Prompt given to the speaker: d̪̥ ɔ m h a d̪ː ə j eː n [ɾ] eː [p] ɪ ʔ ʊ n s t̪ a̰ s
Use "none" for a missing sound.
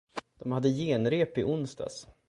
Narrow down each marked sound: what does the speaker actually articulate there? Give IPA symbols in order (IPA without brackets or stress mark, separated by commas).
ɾ, p